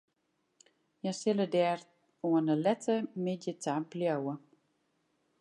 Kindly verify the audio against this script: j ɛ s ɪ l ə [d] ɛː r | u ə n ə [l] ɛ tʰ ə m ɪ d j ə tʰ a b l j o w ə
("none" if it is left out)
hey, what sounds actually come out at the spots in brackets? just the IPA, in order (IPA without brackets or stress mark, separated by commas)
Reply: d, l